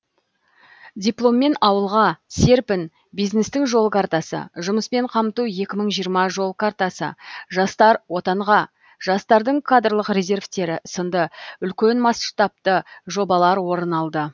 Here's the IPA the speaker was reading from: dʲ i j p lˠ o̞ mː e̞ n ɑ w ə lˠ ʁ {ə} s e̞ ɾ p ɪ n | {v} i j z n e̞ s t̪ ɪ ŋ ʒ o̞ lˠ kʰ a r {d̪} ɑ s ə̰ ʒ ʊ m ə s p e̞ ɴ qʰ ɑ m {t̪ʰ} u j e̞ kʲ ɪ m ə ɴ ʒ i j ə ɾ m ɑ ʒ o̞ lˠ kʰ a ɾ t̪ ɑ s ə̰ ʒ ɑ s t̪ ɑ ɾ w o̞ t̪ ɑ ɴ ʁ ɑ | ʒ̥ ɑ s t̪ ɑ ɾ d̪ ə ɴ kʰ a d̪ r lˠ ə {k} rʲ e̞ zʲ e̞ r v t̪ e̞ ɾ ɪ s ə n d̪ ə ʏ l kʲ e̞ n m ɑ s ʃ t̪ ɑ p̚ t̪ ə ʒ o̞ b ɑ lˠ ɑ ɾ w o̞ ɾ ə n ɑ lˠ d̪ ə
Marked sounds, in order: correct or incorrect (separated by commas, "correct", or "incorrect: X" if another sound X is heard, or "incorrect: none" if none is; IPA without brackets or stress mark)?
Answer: incorrect: ɑ, incorrect: b, incorrect: t̪, incorrect: t̪, incorrect: q